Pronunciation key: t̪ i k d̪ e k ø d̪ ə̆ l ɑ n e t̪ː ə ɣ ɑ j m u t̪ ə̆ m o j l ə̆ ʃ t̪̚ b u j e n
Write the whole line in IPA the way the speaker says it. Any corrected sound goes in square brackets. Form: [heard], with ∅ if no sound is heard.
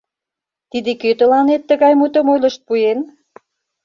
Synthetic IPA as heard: t̪ i [∅] d̪ e k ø [t̪] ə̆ l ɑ n e t̪ː ə ɣ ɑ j m u t̪ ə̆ m o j l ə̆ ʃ t̪̚ [p] u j e n